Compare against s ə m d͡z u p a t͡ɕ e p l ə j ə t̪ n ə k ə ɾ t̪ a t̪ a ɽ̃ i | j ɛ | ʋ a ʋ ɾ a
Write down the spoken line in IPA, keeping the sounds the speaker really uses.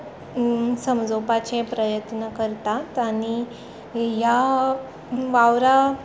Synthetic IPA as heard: s ə m d͡z o p a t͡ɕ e p ɾ ə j ə t̪ n ə k ə ɾ t̪ a t̪ a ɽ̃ i | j a | ʋ a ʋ ɾ a